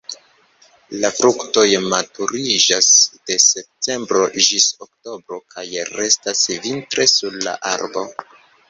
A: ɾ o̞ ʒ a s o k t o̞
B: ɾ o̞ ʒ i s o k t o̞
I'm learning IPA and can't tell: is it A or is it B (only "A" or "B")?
B